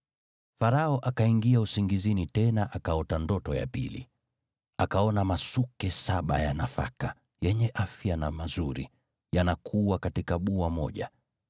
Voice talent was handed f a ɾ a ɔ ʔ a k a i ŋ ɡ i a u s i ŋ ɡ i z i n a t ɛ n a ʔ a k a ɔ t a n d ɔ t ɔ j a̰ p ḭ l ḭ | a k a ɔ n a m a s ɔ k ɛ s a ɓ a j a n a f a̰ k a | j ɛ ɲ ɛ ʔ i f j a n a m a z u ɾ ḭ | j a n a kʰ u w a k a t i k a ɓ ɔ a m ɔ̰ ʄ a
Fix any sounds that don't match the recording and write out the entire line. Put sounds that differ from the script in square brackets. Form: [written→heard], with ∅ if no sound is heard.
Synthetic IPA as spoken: f a ɾ a ɔ ʔ a k a i ŋ ɡ i a u s i ŋ ɡ i z i n [a→i] t ɛ n a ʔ a k a ɔ t a n d ɔ t ɔ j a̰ p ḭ l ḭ | a k a ɔ n a m a s [ɔ→u] k ɛ s a ɓ a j a n a f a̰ k a | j ɛ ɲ ɛ ʔ [i→a] f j a n a m a z u ɾ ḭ | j a n a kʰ u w a k a t i k a ɓ [ɔ→u] a m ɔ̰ ʄ a